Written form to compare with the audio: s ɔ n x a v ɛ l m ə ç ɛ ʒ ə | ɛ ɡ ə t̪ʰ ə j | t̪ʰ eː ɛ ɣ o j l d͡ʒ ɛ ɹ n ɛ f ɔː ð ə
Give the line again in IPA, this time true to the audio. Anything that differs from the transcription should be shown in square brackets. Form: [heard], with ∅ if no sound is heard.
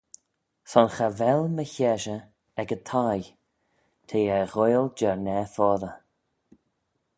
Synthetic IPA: s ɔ n x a v ɛ l m ə ç ɛ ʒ ə | ɛ ɡ ə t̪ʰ [a] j | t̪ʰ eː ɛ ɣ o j l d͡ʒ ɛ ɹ n ɛ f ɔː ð ə

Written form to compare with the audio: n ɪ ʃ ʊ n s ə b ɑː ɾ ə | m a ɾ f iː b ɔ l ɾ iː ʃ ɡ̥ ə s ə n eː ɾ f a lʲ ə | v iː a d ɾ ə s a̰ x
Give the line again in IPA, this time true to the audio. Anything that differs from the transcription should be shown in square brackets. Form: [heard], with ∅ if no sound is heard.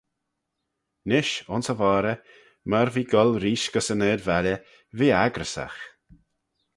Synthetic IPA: n ɪ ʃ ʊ n s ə [v] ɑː ɾ ə | m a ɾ [v] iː [ɡ] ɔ l ɾ iː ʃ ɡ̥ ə s ə n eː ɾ [v] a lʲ ə | v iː a [ɡ] ɾ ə s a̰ x

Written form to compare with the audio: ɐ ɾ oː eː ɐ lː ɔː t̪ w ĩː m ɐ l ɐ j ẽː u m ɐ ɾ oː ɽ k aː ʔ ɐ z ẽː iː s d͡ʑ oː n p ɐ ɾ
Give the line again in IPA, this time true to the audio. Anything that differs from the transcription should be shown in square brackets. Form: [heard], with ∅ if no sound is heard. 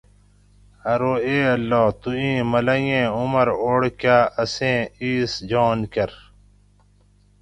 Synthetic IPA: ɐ ɾ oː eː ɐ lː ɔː t̪ [u] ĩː m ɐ l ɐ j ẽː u m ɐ ɾ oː ɽ k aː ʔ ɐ [s] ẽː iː s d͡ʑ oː n [k] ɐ ɾ

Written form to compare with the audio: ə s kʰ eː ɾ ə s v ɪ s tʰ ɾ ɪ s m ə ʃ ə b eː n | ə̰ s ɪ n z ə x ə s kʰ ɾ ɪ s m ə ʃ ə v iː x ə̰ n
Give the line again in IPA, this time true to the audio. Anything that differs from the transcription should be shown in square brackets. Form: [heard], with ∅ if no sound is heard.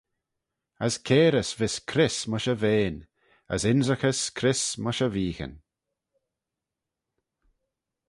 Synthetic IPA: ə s kʰ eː ɾ ə s v ɪ s [kʰ] ɾ ɪ s m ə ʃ ə [v] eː n | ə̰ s ɪ n z ə x ə s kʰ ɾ ɪ s m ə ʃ ə v iː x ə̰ n

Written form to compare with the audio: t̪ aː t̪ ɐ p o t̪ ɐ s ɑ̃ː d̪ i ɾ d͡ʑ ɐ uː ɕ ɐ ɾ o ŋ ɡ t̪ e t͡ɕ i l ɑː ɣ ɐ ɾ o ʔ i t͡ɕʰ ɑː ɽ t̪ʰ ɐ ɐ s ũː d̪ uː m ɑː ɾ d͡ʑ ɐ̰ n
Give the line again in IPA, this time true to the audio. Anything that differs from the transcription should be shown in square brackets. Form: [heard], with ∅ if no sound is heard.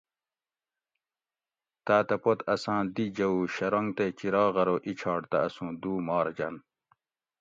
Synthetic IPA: t̪ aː t̪ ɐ p o t̪ ɐ s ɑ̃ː d̪ i [∅] d͡ʑ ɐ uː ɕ ɐ ɾ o ŋ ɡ t̪ e t͡ɕ i [ɾ] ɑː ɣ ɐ ɾ o ʔ i t͡ɕʰ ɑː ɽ [t̪] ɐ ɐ s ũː d̪ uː m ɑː ɾ d͡ʑ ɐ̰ n

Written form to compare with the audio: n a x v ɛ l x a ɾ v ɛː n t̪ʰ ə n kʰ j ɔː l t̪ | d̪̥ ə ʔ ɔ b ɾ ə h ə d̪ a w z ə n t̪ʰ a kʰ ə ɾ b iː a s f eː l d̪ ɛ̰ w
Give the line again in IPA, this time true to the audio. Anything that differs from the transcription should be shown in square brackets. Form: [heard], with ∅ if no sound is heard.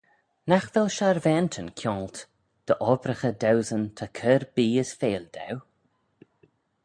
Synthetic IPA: n a x v ɛ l [ʃ] a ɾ v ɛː n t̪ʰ ə n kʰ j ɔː l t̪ | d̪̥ ə ʔ ɔ b ɾ ə [x] ə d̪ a w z ə n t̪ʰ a kʰ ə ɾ b iː [ə] s f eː l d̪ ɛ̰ w

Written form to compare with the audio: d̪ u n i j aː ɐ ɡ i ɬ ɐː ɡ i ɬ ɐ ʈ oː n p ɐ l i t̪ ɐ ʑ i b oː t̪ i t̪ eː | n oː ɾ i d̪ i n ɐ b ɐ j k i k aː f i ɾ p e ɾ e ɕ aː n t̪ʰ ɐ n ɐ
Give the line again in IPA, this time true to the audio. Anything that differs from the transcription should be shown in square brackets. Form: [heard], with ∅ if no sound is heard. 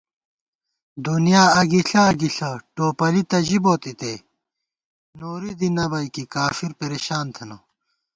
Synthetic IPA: d̪ u n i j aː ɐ ɡ i ɬ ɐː ɡ i ɬ ɐ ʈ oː [∅] p ɐ l i t̪ ɐ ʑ i b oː t̪ i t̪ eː | n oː ɾ i d̪ i n ɐ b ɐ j k i k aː f i ɾ p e ɾ e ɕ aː n t̪ʰ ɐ n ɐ

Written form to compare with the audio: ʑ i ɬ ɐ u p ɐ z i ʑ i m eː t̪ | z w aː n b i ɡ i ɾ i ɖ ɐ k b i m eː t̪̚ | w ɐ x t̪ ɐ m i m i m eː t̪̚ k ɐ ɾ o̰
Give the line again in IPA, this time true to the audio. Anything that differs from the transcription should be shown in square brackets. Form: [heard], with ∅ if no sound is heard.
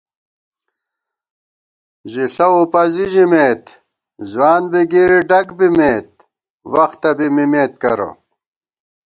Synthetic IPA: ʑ i ɬ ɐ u p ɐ z i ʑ i m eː t̪ | z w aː n b i ɡ i ɾ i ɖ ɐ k b i m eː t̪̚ | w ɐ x t̪ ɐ [b] i m i m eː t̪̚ k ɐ ɾ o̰

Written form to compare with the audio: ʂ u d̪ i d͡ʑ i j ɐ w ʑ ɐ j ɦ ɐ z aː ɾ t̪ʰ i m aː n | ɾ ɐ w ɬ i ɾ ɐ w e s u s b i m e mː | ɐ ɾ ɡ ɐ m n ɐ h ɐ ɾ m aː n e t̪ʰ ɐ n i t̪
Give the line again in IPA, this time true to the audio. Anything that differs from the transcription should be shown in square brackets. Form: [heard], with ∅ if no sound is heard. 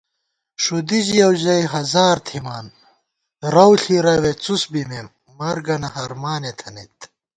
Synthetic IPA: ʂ u d̪ i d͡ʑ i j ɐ w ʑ ɐ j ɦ ɐ z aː ɾ t̪ʰ i m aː n | ɾ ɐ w ɬ i ɾ ɐ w e [t͡s] u s b i m e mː | ɐ ɾ ɡ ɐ [∅] n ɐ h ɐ ɾ m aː n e t̪ʰ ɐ n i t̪

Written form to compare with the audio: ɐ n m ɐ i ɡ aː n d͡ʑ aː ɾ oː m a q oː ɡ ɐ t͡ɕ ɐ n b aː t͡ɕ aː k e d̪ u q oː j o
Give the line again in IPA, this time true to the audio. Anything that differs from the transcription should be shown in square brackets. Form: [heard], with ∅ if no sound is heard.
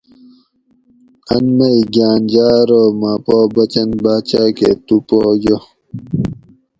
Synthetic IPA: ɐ n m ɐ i ɡ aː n d͡ʑ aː ɾ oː m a [p] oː [b] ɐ t͡ɕ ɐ n b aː t͡ɕ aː k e [t̪] u [p] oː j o

